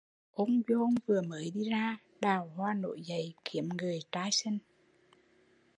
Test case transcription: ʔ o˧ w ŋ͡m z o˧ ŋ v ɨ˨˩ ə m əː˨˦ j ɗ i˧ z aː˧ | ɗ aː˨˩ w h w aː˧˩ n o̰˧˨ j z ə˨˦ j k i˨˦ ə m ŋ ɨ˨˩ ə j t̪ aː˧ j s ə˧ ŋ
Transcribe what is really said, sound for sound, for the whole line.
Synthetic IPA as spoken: ʔ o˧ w ŋ͡m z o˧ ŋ v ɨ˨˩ ə m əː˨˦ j ɗ i˧ z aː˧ | ɗ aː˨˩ w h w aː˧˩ n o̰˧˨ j z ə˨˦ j k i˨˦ ə m ŋ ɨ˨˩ ə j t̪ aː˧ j s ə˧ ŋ